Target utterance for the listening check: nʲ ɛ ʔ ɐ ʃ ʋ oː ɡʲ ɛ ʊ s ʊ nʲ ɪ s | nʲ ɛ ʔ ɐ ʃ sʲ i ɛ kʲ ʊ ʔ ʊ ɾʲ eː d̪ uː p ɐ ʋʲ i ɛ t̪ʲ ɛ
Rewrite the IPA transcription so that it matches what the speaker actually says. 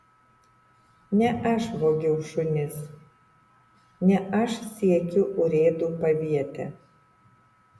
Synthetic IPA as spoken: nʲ ɛ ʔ ɐ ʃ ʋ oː ɡʲ ɛ ʊ ʃ ʊ nʲ ɪ s | nʲ ɛ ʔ ɐ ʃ sʲ i ɛ kʲ ʊ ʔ ʊ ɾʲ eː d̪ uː p ɐ ʋʲ i ɛ t̪ʲ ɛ